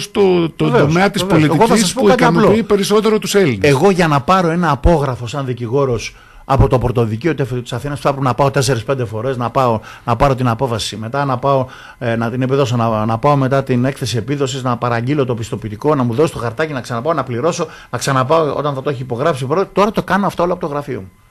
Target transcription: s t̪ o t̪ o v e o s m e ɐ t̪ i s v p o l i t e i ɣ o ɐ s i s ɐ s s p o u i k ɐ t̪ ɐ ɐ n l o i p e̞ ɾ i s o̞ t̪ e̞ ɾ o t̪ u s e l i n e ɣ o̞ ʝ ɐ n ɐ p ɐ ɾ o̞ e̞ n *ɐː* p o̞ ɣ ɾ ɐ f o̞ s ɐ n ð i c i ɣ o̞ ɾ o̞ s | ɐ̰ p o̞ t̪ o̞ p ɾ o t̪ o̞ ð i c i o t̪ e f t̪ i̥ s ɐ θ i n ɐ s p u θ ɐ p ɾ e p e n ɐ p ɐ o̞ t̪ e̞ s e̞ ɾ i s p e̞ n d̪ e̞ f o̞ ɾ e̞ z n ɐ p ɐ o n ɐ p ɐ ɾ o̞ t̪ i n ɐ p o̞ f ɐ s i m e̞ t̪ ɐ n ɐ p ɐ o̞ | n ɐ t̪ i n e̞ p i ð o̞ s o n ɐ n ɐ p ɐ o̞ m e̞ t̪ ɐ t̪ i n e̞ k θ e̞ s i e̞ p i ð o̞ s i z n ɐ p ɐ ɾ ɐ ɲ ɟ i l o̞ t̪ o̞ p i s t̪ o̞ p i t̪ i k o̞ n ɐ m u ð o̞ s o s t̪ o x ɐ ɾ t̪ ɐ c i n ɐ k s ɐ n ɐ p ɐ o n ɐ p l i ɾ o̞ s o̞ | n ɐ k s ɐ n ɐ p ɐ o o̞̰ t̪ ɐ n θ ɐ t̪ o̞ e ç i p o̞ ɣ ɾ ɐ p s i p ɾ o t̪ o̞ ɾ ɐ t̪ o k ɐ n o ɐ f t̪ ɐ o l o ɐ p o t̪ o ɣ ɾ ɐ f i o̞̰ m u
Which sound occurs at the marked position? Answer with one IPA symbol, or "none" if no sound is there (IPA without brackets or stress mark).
ɐː